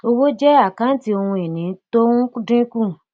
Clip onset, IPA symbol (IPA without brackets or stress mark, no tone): o